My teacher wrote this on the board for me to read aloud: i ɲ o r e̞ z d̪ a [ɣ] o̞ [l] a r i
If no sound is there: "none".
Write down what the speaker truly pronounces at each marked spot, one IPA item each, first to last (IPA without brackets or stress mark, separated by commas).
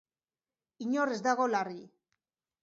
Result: ɣ, l